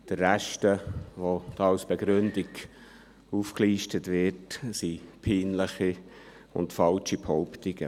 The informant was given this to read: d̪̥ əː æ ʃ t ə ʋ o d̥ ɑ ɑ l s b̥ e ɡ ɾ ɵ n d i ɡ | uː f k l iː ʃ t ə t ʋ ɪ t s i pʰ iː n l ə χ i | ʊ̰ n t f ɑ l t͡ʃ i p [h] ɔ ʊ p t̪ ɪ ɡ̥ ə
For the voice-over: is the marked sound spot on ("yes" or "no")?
yes